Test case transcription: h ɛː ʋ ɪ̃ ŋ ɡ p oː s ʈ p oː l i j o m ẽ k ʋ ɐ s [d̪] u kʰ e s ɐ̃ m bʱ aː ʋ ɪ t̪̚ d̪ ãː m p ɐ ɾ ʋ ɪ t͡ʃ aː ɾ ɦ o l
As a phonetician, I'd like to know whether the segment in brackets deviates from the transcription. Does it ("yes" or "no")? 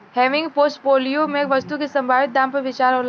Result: yes